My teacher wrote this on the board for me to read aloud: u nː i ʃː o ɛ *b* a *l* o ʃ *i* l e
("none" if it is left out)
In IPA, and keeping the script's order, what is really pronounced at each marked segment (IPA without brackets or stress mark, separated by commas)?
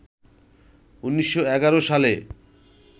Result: ɡ, ɾ, a